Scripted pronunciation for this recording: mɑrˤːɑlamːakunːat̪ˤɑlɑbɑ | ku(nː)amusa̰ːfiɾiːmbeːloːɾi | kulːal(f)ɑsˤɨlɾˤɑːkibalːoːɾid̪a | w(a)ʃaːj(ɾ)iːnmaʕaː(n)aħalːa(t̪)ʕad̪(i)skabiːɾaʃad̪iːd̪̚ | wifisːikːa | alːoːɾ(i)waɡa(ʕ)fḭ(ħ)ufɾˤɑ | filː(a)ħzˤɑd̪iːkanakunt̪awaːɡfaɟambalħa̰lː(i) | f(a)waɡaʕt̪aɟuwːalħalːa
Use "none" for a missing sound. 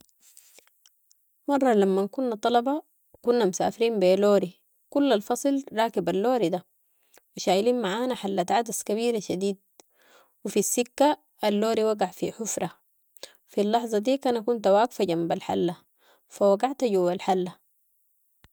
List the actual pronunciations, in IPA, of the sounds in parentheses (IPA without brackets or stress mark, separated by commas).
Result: nː, f, i, l, n, t̪, a, i, ʕ, ħ, ɑ, a, a